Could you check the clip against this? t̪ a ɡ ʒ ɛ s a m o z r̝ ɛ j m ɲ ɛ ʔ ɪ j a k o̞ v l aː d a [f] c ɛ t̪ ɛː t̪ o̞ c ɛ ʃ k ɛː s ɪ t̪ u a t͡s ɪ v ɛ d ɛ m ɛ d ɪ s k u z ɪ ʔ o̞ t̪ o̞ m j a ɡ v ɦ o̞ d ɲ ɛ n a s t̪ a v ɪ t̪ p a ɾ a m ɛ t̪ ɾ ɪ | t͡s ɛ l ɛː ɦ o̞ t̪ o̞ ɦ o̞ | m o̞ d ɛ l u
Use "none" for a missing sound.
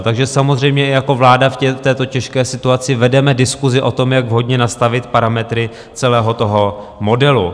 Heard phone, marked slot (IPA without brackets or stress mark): f